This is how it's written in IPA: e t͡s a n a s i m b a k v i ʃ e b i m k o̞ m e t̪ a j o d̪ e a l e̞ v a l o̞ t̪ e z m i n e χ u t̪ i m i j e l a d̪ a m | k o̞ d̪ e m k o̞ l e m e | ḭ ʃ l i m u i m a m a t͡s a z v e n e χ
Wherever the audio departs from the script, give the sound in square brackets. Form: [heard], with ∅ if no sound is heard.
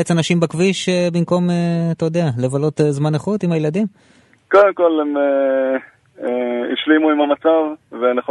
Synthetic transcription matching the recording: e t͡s a n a [ʃ] i m b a k v i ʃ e b i m k o̞ m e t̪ a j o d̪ e a l e̞ v a l o̞ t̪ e z m [a] n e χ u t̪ i m [a] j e l a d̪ [i] m | k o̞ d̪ e m k o̞ l e m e | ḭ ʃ l i m u i m a m a t͡s a [v] v e n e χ